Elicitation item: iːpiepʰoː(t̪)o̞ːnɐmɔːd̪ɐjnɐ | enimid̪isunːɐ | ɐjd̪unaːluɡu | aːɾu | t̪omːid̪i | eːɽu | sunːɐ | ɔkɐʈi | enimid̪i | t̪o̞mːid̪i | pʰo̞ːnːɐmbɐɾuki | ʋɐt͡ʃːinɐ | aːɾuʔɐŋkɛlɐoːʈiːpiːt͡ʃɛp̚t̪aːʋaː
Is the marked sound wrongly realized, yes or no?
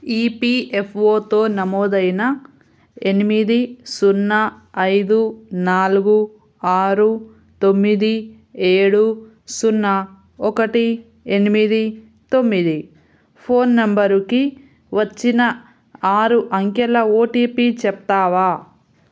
no